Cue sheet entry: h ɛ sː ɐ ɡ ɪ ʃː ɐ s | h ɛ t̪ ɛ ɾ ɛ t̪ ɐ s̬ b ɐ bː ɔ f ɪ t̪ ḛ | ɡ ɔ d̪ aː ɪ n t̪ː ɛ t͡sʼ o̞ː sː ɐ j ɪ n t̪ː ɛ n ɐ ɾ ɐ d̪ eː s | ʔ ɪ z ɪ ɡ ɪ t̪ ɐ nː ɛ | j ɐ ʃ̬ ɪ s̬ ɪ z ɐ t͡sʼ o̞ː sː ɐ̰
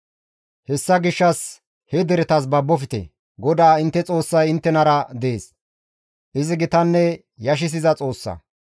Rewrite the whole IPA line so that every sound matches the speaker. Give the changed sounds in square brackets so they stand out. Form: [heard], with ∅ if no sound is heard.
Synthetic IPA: h ɛ sː ɐ ɡ ɪ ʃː ɐ s | h ɛ [d̪] ɛ ɾ ɛ t̪ ɐ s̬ b ɐ bː ɔ f ɪ t̪ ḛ | ɡ ɔ d̪ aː ɪ n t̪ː ɛ t͡sʼ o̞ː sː ɐ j ɪ n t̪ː ɛ n ɐ ɾ ɐ d̪ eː s | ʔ ɪ z ɪ ɡ ɪ t̪ ɐ nː ɛ | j ɐ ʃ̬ ɪ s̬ ɪ z ɐ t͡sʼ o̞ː sː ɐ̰